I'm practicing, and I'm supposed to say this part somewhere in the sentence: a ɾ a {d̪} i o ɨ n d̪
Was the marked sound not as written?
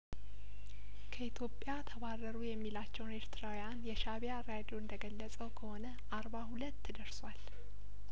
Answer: no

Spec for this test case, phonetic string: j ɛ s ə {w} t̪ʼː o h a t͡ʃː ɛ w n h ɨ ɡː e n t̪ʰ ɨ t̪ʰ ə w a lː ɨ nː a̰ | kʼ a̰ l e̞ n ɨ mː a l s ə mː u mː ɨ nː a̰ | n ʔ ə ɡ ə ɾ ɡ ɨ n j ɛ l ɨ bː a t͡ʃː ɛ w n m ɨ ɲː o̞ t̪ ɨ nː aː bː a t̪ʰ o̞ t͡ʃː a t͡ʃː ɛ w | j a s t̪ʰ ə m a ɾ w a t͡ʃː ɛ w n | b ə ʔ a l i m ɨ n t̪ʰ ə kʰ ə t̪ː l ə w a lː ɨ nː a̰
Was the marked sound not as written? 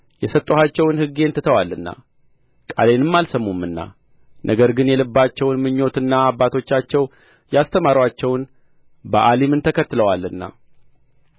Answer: yes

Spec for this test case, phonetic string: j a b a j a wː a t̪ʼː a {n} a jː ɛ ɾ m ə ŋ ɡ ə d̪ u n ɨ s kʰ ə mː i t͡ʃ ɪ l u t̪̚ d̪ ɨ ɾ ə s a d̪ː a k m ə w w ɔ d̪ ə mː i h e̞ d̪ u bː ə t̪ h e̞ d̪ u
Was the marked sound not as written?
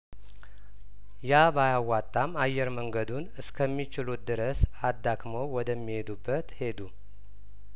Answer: yes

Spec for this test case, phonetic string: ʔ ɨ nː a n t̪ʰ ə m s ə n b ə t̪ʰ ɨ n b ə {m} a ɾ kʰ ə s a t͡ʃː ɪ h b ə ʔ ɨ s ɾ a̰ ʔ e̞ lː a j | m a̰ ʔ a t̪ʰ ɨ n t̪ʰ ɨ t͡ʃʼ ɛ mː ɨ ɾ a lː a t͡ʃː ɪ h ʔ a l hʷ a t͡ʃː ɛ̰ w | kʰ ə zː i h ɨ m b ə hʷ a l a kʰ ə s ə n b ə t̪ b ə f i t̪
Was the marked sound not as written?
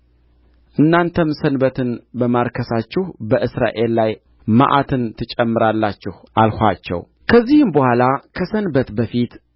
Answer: no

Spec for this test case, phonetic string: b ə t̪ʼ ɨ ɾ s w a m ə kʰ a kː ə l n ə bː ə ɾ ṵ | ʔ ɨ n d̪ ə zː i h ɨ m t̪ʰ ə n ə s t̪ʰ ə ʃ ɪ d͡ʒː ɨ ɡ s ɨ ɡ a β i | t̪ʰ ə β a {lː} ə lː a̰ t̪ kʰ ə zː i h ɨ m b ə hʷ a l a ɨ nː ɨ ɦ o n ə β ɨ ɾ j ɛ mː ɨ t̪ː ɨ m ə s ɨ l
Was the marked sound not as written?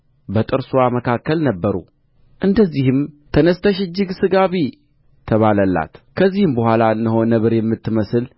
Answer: yes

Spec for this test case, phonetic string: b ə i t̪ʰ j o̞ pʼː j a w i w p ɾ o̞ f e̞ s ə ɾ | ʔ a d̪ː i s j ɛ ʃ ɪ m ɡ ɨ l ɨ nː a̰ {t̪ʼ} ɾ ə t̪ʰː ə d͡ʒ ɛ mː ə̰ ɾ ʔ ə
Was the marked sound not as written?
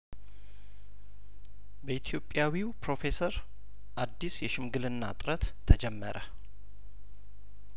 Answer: no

